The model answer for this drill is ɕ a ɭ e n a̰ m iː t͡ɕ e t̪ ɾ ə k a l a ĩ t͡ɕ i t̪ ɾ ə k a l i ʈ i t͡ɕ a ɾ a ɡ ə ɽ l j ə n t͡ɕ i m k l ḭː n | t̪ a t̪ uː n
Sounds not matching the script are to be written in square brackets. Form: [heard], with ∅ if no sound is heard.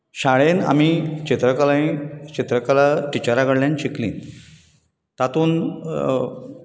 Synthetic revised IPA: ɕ a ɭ e n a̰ m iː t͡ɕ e t̪ ɾ ə k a l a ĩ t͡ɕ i t̪ ɾ ə k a l [a] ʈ i t͡ɕ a ɾ a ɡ ə ɽ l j [a] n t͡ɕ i [∅] k l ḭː n | t̪ a t̪ uː n